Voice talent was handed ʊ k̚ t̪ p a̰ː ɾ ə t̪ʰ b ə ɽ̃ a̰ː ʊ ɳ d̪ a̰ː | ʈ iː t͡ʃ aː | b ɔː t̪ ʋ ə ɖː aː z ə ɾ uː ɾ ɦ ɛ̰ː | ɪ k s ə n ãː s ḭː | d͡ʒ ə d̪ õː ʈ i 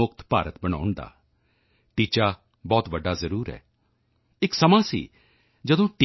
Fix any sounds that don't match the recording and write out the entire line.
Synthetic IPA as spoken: ʊ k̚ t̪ p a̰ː ɾ ə t̪ b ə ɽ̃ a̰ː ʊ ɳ d̪ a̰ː | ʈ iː t͡ʃ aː | b ɔː t̪ ʋ ə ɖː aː z ə ɾ uː ɾ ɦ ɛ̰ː | ɪ k s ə m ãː s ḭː | d͡ʒ ə d̪ õː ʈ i